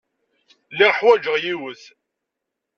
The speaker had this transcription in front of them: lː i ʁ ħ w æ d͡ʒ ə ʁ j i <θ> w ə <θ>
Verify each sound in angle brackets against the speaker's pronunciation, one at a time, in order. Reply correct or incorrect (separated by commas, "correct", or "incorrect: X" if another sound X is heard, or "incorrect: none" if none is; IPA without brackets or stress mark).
incorrect: none, correct